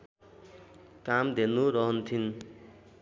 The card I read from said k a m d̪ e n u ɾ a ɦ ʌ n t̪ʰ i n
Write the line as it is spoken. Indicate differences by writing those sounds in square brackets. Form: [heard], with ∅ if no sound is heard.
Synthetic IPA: k a m d̪ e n u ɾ [ʌ] ɦ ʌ n t̪ʰ i n